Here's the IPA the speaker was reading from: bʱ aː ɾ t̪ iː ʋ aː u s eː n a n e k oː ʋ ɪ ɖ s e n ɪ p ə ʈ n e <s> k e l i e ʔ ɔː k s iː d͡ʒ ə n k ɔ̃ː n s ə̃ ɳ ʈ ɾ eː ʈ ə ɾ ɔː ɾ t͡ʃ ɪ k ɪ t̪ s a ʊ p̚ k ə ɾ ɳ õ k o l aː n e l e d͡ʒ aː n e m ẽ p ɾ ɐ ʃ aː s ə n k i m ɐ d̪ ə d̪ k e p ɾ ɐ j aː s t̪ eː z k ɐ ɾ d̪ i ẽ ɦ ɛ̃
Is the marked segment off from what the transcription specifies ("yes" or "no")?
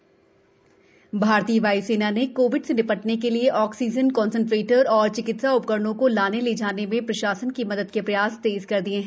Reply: yes